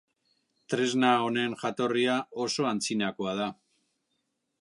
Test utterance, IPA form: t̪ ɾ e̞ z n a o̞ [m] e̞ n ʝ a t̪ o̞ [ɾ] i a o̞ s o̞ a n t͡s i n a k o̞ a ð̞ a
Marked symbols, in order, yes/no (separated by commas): no, no